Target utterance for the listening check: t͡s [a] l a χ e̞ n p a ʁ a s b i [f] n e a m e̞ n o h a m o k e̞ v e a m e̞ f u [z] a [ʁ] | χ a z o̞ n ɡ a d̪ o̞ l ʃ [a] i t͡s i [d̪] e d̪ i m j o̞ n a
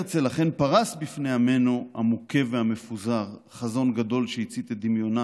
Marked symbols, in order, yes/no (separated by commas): no, yes, yes, yes, no, no